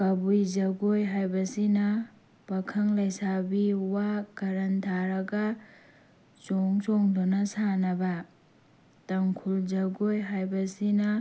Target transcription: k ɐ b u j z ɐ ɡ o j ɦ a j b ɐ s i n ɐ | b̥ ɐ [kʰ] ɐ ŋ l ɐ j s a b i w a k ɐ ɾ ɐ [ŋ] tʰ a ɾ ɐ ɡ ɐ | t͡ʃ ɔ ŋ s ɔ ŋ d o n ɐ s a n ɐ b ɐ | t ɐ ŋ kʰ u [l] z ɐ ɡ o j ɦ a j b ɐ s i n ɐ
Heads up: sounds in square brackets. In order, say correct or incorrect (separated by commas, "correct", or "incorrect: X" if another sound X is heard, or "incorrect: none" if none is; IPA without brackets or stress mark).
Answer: correct, incorrect: n, correct